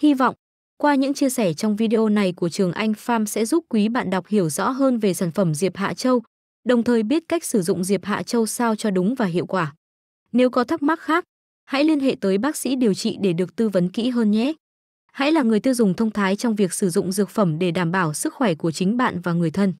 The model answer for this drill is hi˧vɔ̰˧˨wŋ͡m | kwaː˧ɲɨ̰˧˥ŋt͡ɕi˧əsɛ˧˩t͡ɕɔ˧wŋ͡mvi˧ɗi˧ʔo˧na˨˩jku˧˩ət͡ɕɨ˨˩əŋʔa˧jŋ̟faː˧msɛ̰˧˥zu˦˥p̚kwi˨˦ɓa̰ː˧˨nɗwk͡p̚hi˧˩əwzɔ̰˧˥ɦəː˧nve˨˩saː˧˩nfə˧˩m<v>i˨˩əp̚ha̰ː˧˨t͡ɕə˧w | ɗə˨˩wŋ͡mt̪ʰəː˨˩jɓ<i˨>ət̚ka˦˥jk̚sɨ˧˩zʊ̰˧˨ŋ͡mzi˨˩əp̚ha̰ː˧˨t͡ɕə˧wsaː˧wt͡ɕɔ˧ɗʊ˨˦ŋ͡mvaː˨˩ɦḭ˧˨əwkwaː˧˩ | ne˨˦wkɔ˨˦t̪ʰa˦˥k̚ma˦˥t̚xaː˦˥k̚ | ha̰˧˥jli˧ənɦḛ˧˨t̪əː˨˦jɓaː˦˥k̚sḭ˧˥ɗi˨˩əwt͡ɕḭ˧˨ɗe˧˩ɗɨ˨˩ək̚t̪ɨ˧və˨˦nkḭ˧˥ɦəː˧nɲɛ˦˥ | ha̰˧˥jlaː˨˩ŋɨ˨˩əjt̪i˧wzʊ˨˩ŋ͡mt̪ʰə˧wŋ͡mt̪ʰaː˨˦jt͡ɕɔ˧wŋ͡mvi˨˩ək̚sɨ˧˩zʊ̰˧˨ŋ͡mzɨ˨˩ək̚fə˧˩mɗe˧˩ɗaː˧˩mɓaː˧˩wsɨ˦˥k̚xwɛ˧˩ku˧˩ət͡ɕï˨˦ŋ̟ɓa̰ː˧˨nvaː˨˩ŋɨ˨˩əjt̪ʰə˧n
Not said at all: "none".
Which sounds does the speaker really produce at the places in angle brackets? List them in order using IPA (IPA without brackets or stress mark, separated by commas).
z, i˦˥